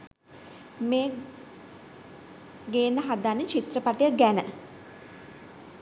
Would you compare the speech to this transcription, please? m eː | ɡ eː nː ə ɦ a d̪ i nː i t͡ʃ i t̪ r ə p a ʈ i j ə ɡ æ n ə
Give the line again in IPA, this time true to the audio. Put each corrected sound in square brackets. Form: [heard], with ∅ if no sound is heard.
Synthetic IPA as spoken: m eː | ɡ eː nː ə ɦ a d̪ [a] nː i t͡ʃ i t̪ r ə p a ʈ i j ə ɡ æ n ə